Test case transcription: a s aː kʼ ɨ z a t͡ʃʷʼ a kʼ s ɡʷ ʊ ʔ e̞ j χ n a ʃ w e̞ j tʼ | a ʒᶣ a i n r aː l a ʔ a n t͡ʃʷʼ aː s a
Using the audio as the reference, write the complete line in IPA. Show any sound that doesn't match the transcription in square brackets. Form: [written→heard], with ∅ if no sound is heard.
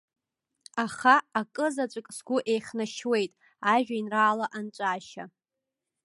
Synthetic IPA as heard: a [s→χ] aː kʼ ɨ z a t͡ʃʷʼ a kʼ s ɡʷ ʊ ʔ e̞ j χ n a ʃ w e̞ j tʼ | a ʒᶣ a i n r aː l a ʔ a n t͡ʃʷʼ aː [s→ʃ] a